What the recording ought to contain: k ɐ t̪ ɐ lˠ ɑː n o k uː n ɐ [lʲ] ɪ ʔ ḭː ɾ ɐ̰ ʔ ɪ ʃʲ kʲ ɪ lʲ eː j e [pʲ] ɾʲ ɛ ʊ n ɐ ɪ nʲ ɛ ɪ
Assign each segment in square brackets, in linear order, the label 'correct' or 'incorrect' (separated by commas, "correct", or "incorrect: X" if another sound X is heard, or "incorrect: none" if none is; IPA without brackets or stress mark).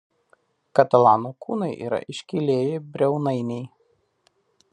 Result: incorrect: none, incorrect: bʲ